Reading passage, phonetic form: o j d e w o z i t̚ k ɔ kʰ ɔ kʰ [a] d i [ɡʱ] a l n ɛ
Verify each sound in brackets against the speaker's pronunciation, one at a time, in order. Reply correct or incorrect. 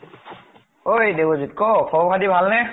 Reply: correct, incorrect

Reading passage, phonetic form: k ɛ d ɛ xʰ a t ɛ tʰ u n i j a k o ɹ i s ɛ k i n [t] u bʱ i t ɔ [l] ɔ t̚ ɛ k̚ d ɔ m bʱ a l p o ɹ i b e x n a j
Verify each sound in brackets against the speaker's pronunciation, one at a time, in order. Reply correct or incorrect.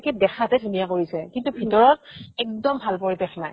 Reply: correct, incorrect

